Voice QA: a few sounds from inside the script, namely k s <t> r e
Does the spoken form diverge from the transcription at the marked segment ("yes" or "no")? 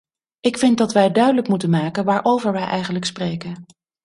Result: yes